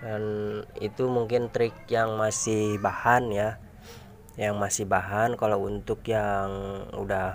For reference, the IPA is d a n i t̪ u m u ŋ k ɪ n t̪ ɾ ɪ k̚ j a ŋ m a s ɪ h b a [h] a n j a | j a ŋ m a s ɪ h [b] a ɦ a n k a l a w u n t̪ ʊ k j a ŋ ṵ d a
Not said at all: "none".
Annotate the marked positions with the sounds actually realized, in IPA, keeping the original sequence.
h, b

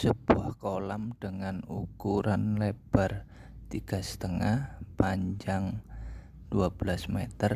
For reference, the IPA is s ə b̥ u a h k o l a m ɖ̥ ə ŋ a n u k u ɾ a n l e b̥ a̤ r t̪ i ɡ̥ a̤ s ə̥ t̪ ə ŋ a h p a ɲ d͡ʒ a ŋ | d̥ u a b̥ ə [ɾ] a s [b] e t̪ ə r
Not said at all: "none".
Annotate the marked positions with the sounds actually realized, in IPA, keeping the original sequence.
l, m

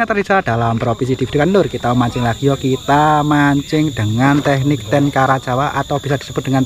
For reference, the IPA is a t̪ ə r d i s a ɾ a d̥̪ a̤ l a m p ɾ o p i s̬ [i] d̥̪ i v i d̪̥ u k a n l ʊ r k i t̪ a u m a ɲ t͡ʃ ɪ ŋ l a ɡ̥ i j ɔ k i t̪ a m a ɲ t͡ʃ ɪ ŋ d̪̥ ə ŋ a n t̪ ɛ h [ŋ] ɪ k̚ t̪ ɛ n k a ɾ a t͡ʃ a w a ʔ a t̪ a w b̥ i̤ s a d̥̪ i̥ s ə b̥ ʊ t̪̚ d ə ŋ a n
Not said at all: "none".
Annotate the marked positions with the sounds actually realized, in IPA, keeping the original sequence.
i, n

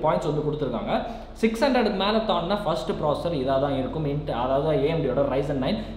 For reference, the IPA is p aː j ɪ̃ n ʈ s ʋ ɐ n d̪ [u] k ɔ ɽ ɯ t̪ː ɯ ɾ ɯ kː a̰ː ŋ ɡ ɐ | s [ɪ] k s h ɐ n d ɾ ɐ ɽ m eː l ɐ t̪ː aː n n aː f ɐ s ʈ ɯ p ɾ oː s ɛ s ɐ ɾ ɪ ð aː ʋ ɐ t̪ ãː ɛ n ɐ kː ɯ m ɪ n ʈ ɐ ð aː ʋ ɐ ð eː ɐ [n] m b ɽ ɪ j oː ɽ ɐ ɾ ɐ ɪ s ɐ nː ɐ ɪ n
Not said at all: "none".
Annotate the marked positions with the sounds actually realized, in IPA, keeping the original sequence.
ɯ, ɪ, none

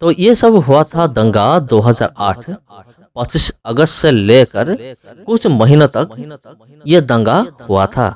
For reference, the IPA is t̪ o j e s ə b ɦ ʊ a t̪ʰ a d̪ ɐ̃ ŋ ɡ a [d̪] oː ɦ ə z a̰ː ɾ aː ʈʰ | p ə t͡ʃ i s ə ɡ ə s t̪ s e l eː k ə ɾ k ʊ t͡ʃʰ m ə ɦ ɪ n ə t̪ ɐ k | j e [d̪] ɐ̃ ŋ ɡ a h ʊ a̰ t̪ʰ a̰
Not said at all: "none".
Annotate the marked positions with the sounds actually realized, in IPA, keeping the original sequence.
d̪, d̪

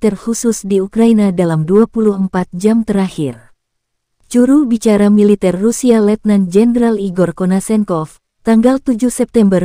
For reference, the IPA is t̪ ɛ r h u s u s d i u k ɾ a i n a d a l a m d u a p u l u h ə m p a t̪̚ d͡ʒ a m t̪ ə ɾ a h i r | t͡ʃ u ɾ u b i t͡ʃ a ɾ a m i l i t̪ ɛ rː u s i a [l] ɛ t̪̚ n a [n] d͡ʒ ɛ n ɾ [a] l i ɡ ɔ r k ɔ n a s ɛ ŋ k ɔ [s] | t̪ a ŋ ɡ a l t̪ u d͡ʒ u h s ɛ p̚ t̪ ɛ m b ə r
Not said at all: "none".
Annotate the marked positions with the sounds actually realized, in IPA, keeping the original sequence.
l, n, a, f

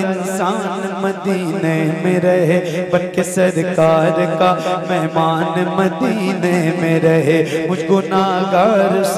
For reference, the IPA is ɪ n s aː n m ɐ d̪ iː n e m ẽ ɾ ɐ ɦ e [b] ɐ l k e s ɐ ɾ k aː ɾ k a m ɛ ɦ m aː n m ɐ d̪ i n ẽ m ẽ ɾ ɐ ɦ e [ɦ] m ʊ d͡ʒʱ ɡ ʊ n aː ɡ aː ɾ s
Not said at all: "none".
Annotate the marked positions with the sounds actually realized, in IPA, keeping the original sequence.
b, none

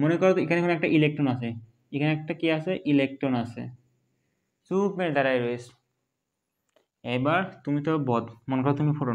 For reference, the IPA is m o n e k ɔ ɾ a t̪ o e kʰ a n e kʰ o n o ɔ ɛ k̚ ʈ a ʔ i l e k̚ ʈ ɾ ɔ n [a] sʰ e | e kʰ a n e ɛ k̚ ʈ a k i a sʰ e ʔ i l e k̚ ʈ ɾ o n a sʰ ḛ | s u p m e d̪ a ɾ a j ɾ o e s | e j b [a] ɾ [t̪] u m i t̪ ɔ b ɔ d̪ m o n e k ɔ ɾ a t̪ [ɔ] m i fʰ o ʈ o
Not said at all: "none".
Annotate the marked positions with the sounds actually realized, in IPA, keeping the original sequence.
a, a, t̪, u

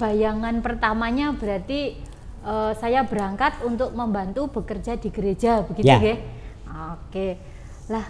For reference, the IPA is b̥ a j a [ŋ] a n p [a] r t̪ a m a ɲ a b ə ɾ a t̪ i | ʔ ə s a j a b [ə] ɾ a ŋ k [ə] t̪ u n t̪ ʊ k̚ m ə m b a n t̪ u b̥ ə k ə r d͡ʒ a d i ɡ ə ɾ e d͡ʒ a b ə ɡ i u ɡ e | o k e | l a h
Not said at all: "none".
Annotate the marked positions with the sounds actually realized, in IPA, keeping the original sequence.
ŋ, ə, ə, a

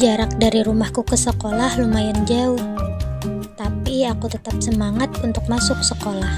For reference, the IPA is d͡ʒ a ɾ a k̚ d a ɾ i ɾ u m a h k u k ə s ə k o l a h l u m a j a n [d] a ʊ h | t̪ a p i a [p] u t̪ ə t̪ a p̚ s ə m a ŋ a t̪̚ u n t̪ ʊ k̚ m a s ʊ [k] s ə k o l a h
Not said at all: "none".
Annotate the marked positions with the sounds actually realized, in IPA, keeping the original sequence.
d͡ʒ, k, k

